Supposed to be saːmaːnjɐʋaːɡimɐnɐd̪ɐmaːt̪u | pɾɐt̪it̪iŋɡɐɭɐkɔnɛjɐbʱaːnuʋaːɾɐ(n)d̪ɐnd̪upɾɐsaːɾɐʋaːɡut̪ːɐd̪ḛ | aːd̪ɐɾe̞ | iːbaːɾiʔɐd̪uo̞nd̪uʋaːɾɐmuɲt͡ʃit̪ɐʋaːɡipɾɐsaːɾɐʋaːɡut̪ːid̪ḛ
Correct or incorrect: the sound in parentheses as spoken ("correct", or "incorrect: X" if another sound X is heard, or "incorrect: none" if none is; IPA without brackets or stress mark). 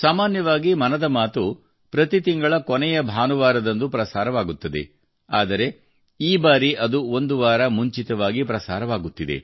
incorrect: none